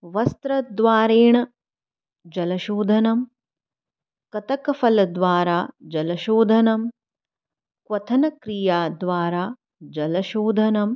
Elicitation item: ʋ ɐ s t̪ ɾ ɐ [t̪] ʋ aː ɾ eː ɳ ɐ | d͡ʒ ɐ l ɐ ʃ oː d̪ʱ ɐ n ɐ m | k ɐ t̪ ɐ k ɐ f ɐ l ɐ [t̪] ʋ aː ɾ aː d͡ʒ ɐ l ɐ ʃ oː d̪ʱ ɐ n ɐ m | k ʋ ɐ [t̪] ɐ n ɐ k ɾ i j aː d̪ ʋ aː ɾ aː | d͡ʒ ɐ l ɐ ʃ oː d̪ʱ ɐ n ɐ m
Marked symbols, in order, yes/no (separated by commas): no, no, no